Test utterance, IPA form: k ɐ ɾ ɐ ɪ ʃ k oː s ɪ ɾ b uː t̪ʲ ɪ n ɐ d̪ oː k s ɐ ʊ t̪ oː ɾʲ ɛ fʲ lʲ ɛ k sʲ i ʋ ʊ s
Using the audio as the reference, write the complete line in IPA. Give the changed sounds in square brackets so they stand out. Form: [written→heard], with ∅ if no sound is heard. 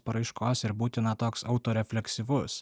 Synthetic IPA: [k→p] ɐ ɾ ɐ ɪ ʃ k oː s ɪ ɾ b uː t̪ʲ ɪ n ɐ [d̪→t̪] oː k s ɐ ʊ t̪ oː ɾʲ ɛ fʲ lʲ ɛ k sʲ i ʋ ʊ s